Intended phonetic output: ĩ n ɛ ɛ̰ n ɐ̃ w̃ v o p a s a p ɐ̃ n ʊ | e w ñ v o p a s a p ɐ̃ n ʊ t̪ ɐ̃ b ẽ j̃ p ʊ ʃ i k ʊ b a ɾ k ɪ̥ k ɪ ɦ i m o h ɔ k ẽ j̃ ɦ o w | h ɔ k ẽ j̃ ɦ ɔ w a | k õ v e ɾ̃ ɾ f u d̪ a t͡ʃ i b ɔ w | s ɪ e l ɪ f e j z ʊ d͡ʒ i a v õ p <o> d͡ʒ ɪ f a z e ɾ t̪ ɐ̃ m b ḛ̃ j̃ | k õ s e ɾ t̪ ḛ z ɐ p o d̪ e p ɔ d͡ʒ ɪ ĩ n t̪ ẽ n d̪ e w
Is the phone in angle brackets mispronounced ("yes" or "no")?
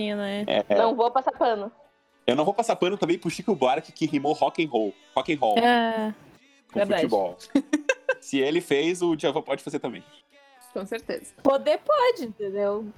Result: yes